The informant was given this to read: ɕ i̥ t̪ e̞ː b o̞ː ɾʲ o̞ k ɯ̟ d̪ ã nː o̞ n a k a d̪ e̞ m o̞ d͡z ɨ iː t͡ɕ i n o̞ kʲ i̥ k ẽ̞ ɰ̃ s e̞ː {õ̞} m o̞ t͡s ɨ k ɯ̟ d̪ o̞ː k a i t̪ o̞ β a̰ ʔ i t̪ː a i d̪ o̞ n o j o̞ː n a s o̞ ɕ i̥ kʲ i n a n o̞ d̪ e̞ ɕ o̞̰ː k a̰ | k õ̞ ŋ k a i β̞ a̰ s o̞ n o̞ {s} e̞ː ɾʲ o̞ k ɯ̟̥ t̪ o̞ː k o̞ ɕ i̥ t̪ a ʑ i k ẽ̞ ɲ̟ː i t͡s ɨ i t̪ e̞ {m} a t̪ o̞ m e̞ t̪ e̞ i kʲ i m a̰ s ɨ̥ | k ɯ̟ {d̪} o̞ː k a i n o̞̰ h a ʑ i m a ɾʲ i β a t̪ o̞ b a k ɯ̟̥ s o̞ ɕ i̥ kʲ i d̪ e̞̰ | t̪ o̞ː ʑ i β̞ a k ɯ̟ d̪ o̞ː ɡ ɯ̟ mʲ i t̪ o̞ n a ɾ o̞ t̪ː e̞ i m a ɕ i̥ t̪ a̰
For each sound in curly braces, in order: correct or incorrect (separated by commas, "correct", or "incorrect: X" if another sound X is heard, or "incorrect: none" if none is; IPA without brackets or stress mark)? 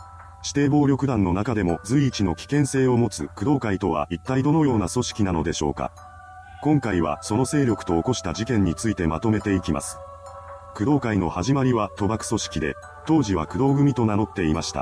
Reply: incorrect: o̞, correct, correct, correct